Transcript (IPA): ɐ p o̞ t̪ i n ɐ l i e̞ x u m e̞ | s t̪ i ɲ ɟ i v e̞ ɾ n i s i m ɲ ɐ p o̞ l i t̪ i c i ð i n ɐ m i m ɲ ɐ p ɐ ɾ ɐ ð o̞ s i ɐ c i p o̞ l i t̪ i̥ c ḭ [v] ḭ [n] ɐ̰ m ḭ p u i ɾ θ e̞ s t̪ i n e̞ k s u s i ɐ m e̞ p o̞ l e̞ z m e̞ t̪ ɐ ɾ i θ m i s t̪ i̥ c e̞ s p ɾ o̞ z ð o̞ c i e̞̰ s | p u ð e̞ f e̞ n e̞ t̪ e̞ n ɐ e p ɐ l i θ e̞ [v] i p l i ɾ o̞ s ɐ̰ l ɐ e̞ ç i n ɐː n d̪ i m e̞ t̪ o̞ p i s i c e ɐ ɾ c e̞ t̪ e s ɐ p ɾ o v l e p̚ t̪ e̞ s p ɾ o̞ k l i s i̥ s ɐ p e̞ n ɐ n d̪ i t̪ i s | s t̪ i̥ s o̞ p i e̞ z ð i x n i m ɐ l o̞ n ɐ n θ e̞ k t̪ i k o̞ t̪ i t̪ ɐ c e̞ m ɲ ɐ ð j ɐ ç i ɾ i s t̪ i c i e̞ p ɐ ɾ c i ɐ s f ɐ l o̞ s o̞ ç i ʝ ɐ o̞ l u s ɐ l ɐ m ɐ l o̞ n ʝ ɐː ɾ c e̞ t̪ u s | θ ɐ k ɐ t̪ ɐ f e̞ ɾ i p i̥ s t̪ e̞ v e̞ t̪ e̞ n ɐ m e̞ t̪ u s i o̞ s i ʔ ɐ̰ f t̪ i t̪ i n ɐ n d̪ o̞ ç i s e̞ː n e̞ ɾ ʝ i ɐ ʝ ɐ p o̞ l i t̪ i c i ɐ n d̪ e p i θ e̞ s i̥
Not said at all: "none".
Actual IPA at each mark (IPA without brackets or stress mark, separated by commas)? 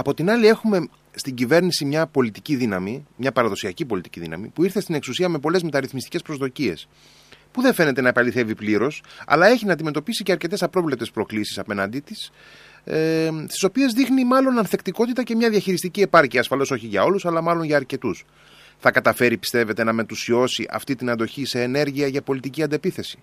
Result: ð, n, v